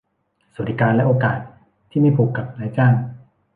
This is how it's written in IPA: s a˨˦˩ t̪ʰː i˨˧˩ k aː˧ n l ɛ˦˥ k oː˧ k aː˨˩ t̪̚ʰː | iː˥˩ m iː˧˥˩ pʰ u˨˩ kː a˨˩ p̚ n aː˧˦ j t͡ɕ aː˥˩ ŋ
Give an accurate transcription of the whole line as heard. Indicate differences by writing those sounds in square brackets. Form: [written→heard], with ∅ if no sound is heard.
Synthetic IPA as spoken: s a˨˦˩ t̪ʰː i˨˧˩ k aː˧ n l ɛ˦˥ [k→ʔ] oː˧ k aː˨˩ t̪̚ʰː | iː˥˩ m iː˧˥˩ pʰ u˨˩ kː a˨˩ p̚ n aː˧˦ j t͡ɕ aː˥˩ ŋ